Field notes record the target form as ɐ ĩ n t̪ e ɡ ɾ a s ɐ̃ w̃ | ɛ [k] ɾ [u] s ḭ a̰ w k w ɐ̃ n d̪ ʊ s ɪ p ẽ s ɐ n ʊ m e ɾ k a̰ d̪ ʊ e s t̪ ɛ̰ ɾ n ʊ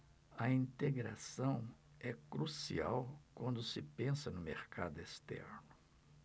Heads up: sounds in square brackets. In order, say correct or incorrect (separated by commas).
correct, correct